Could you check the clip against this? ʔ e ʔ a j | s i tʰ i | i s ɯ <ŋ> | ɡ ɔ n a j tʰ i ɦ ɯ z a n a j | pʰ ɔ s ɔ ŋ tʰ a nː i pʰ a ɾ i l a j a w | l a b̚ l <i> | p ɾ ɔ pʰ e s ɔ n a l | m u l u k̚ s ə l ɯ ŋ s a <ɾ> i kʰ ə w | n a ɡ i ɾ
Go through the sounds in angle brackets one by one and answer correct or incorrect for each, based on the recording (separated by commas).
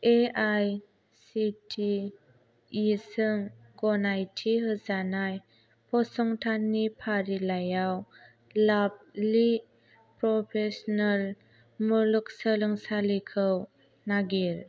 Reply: correct, correct, incorrect